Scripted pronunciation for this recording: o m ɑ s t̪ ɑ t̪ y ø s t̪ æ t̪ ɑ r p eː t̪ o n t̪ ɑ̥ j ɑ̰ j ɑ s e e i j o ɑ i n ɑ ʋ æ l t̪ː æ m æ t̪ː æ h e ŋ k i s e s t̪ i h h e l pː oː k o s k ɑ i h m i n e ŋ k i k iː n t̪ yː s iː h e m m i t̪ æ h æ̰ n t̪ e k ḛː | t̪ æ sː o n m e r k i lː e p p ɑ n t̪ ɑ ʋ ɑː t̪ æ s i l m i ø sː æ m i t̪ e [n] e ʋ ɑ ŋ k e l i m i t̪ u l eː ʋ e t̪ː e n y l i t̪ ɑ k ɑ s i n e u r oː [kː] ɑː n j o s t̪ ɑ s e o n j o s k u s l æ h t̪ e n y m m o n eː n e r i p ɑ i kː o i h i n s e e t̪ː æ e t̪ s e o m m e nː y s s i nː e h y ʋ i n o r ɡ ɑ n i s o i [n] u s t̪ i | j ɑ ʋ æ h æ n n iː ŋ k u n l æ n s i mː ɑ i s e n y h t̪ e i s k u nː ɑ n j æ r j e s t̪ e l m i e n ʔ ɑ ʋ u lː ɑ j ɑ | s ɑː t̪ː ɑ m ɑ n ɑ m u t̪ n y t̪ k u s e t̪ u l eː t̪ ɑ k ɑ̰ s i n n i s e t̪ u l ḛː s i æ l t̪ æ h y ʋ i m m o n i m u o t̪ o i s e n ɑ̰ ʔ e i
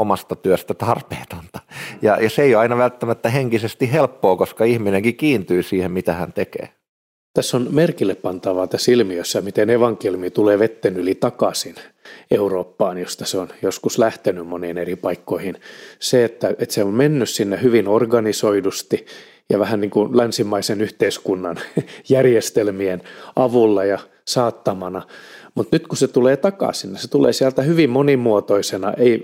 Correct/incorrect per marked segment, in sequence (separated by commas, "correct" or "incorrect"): correct, incorrect, incorrect